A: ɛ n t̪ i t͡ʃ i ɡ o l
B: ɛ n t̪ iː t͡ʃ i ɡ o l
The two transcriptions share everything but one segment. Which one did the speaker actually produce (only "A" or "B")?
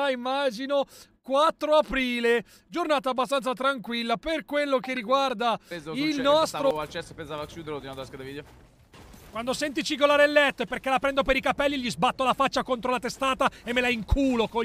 A